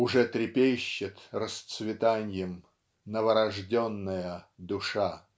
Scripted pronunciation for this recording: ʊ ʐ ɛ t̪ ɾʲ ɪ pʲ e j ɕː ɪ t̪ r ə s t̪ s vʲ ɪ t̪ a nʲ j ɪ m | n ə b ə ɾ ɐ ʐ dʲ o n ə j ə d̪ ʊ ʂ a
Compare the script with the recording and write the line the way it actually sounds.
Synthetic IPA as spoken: ʊ ʐ ɛ t̪ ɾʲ ɪ pʲ e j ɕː ɪ t̪ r ə s t̪ s vʲ ɪ t̪ a nʲ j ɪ m | n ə v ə ɾ ɐ ʐ dʲ o nː ə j ə d̪ ʊ ʂ a